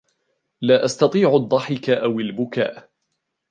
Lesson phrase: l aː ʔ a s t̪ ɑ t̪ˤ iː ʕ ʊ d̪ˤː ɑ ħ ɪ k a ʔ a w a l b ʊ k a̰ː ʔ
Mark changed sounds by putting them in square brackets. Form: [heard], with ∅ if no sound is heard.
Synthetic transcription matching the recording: l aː ʔ a s t̪ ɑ t̪ˤ iː ʕ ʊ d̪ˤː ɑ ħ ɪ k a ʔ a w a l b ʊ k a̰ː ʔ